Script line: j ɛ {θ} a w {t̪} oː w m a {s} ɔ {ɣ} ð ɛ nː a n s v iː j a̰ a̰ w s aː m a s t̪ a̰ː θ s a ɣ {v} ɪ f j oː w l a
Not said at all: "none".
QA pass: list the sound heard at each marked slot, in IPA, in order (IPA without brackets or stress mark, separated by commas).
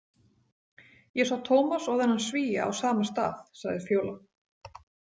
s, t̪ʰ, s, ɣ, ð